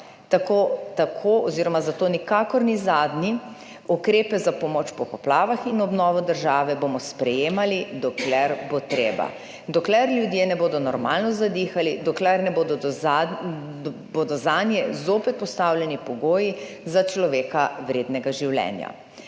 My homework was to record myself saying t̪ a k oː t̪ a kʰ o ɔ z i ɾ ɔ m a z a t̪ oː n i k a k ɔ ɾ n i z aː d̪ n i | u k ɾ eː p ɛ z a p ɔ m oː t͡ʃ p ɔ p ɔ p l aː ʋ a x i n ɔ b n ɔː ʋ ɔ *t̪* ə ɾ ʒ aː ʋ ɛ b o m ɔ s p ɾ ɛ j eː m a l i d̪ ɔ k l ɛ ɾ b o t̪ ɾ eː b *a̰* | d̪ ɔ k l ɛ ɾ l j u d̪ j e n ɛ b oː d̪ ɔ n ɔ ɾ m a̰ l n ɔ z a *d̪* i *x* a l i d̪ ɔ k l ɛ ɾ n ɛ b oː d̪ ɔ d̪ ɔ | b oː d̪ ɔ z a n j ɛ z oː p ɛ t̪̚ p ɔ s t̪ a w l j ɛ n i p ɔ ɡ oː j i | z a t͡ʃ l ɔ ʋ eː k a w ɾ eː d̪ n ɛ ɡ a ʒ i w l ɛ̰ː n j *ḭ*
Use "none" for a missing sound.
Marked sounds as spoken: d̪, a̰, d̪, x, a̰

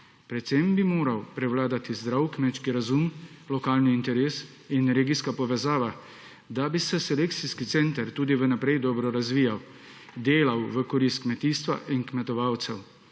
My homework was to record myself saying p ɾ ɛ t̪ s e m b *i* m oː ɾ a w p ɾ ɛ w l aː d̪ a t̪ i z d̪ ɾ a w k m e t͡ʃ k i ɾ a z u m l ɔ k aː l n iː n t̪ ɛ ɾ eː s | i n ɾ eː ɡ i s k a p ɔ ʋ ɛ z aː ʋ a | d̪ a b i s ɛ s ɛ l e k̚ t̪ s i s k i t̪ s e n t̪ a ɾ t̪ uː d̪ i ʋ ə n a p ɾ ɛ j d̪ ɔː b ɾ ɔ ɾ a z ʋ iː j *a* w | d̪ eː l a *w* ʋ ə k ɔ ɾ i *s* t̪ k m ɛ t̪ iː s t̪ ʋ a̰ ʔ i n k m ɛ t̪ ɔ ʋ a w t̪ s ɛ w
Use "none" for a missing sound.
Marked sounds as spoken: i, a, w, s

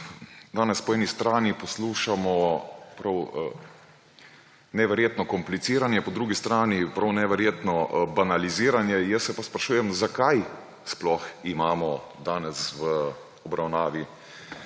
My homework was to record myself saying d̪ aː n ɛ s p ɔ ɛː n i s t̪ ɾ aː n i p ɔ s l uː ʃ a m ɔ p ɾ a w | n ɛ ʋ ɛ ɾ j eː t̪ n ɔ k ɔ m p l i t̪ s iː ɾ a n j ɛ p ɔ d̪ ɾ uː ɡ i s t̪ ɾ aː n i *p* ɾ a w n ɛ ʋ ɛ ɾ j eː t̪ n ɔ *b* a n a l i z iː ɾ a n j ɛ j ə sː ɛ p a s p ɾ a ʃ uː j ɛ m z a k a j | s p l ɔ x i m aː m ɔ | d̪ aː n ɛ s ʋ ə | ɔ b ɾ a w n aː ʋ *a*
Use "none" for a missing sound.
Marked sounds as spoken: p, b, i

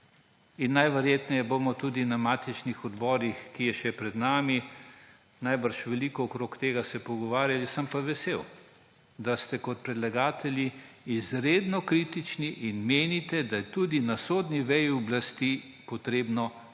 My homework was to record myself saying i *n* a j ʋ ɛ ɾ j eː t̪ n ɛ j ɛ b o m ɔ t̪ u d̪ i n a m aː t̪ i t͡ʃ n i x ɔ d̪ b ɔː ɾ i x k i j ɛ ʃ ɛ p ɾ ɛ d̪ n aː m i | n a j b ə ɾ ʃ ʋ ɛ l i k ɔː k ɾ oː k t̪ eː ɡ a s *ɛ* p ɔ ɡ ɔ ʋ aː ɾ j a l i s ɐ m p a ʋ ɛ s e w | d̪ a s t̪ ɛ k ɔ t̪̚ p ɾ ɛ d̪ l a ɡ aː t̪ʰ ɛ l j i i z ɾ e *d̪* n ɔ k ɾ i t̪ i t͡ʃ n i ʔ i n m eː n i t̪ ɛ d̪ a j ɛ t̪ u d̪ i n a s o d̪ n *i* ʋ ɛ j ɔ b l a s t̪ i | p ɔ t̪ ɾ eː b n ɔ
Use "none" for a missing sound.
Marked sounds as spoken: nː, ɛ, d̪, i

